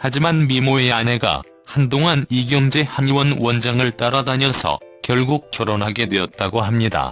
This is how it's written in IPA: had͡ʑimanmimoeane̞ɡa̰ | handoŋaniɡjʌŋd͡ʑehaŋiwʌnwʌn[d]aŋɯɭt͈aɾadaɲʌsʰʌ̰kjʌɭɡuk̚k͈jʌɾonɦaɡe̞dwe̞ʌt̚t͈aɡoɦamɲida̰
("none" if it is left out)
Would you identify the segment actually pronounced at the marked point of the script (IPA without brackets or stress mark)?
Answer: d͡ʑ